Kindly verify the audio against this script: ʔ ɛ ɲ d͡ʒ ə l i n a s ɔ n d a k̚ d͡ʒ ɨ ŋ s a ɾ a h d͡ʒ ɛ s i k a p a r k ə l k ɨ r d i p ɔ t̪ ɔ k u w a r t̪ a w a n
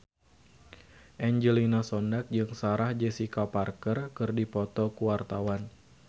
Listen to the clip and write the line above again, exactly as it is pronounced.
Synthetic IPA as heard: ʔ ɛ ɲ d͡ʒ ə l i n a s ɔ n d a k̚ d͡ʒ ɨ ŋ s a ɾ a h d͡ʒ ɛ s i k a p a r k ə r k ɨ r d i p ɔ t̪ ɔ k u w a r t̪ a w a n